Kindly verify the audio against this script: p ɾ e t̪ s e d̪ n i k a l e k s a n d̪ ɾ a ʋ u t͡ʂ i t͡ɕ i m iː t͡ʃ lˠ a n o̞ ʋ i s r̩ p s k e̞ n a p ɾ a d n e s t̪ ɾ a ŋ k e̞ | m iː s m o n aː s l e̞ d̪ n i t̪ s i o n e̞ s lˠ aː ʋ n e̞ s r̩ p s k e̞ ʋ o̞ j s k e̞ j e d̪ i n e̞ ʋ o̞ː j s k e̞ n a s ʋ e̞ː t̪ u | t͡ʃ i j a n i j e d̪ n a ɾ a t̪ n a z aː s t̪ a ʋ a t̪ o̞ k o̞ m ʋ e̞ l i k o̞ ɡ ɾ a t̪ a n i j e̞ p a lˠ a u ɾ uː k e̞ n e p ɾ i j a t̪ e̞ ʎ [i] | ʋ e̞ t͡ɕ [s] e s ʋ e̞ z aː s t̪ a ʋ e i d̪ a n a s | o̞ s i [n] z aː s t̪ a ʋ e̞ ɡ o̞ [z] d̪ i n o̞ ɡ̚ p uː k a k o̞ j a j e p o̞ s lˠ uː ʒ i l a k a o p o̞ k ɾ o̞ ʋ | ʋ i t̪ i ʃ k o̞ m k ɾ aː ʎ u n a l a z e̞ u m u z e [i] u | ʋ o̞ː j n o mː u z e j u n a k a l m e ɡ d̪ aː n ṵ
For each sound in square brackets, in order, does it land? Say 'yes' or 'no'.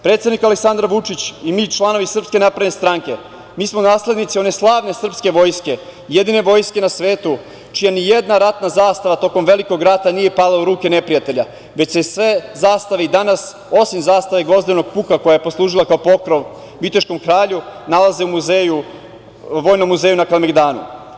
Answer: no, yes, no, yes, no

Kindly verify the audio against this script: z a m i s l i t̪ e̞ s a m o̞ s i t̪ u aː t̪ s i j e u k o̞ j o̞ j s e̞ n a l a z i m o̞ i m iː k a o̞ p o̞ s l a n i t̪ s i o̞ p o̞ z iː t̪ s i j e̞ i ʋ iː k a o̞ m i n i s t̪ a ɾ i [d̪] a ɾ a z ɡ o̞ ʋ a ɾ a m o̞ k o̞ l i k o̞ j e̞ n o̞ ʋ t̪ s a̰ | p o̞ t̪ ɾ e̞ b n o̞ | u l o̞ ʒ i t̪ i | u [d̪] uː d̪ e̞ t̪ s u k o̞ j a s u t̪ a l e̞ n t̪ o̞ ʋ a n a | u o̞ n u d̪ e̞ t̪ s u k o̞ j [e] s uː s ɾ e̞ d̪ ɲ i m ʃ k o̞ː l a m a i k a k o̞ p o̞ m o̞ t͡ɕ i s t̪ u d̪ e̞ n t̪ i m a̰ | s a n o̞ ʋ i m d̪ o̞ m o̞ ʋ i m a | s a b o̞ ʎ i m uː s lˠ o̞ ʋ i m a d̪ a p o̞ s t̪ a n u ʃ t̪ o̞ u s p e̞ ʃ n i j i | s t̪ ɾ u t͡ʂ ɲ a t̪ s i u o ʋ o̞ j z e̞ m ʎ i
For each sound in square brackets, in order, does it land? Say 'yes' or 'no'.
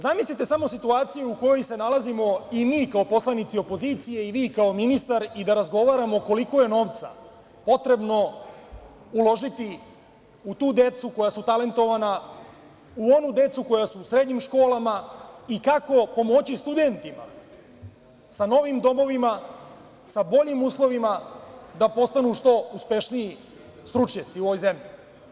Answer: yes, no, no

